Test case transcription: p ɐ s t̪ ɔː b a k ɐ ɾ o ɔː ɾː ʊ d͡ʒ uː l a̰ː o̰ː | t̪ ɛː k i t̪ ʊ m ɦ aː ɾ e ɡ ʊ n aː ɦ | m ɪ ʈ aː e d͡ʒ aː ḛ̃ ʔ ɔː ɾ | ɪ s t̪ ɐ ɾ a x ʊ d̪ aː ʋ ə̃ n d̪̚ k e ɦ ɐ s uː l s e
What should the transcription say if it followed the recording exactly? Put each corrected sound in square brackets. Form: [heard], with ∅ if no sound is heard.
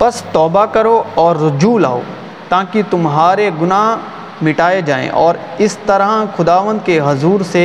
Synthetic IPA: p ɐ s t̪ ɔː b a k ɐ ɾ o ɔː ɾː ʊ d͡ʒ uː l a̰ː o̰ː | t̪ [aː] k i t̪ ʊ m ɦ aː ɾ e ɡ ʊ n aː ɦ | m ɪ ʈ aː e d͡ʒ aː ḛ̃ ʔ ɔː ɾ | ɪ s t̪ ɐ ɾ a x ʊ d̪ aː ʋ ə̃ n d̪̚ k e ɦ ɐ [z] uː [ɾ] s e